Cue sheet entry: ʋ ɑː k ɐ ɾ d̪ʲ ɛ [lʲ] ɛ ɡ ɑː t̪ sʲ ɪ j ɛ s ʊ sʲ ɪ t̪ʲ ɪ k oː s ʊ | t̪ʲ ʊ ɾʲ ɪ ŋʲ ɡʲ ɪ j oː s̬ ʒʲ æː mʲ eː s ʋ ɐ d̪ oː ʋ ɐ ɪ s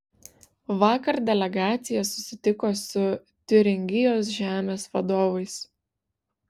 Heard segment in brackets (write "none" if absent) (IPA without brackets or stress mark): lʲ